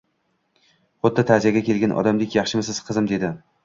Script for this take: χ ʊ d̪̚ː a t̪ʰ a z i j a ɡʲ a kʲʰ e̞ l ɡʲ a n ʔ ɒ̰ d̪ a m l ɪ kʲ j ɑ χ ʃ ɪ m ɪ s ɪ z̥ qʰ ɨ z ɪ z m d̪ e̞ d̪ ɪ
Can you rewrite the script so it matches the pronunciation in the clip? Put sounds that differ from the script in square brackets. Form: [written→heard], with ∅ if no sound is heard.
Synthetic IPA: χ ʊ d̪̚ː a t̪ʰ a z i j a ɡʲ a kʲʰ e̞ l ɡʲ a n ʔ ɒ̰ d̪ a m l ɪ kʲ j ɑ χ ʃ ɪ m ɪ s ɪ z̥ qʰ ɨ z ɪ [z→∅] m d̪ e̞ d̪ ɪ

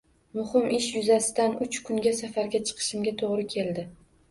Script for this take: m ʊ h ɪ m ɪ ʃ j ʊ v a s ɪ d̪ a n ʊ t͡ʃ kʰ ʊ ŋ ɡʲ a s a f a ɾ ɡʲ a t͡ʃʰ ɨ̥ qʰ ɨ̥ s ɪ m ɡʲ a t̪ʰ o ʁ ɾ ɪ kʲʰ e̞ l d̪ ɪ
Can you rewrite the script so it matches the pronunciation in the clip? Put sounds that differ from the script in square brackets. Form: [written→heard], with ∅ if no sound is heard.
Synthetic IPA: m ʊ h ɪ m ɪ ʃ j ʊ [v→z] a s ɪ d̪ a n ʊ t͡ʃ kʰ ʊ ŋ ɡʲ a s a f a ɾ ɡʲ a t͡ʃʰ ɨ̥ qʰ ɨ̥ [s→ʃ] ɪ m ɡʲ a t̪ʰ o ʁ ɾ ɪ kʲʰ e̞ l d̪ ɪ

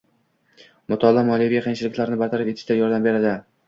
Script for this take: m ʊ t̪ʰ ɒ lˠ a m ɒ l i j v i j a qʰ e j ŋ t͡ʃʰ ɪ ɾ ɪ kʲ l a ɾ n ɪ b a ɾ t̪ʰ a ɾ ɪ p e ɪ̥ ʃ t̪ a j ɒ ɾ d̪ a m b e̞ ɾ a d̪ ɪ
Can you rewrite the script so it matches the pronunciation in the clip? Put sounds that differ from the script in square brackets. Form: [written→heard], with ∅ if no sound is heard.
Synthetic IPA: m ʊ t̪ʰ ɒ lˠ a m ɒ l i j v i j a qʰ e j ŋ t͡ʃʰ ɪ [ɾ→l] ɪ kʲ l a ɾ n ɪ b a ɾ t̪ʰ a ɾ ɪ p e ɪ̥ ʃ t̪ a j ɒ ɾ d̪ a m b e̞ ɾ a d̪ ɪ

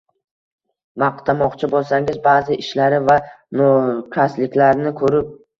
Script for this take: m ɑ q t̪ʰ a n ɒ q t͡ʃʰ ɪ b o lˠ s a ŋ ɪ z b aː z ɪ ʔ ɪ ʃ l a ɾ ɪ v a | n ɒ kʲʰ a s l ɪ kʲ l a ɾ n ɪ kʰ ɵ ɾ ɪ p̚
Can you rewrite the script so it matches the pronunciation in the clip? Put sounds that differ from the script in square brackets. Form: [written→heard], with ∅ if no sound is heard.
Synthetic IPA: m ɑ q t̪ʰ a [n→m] ɒ q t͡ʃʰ ɪ b o lˠ s a ŋ ɪ z b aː z ɪ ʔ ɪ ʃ l a ɾ ɪ v a | n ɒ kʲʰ a s l ɪ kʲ l a ɾ n ɪ kʰ ɵ ɾ ɪ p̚

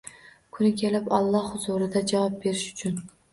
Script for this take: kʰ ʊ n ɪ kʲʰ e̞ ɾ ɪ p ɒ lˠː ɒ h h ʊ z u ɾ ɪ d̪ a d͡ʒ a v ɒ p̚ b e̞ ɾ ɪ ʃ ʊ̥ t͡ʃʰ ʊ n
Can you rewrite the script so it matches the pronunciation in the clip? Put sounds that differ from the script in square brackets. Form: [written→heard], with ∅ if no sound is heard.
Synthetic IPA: kʰ ʊ n ɪ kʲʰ e̞ [ɾ→l] ɪ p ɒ lˠː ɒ h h ʊ z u ɾ ɪ d̪ a d͡ʒ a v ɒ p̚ b e̞ ɾ ɪ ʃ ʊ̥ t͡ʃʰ ʊ n

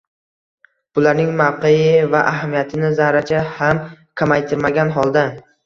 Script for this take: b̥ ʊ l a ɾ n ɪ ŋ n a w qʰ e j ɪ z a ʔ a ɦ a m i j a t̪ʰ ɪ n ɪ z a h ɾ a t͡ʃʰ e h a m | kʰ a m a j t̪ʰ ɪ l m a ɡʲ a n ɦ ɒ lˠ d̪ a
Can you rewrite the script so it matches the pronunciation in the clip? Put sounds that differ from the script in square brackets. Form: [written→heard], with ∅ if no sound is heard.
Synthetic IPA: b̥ ʊ l a ɾ n ɪ ŋ [n→m] a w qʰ e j ɪ [z→v] a ʔ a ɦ a m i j a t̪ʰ ɪ n ɪ z a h ɾ a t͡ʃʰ [e→a] h a m | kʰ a m a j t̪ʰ ɪ [l→ɾ] m a ɡʲ a n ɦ ɒ lˠ d̪ a

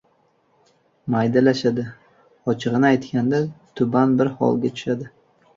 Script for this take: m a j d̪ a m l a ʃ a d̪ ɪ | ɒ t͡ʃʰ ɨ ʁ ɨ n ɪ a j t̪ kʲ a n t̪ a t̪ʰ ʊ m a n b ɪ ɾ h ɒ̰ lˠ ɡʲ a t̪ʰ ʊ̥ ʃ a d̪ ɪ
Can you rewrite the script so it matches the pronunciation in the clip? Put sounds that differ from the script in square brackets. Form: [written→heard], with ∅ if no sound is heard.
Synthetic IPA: m a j d̪ a [m→∅] l a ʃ a d̪ ɪ | ɒ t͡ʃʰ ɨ ʁ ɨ n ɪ a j t̪ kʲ a n [t̪→d̪] a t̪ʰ ʊ [m→b] a n b ɪ ɾ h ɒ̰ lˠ ɡʲ a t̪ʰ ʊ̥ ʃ a d̪ ɪ

